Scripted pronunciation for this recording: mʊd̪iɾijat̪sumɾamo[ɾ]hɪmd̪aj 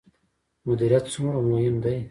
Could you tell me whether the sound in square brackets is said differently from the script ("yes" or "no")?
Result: yes